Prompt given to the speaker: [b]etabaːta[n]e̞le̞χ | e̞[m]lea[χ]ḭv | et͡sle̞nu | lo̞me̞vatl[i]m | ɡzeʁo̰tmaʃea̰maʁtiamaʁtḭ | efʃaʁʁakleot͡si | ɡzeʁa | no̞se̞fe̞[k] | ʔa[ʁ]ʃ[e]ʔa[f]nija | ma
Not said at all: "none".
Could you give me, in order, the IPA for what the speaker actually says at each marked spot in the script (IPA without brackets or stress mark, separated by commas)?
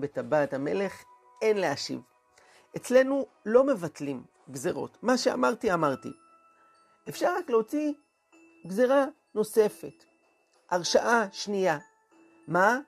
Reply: b, m, n, ʃ, i, t, ʁ, a, ʃ